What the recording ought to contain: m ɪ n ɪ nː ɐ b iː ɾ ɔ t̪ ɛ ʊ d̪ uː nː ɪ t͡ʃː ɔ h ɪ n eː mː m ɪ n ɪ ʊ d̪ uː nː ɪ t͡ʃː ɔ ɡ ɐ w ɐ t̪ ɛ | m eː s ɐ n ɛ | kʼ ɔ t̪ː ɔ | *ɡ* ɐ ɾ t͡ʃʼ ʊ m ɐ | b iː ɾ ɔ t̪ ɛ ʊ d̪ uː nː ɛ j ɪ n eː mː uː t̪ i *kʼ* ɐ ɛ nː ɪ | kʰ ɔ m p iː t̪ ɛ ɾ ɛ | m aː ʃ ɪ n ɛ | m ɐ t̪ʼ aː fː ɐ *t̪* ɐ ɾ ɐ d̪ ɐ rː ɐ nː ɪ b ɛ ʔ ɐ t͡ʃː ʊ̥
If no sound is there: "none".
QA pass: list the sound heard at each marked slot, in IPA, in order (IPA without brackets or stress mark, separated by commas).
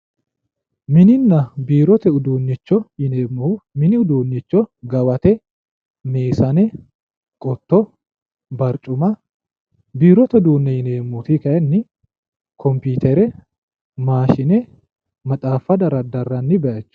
b, k, d̪